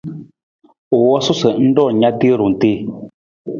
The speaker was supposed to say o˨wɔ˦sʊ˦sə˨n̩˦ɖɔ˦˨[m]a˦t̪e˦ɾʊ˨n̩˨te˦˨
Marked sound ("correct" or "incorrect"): incorrect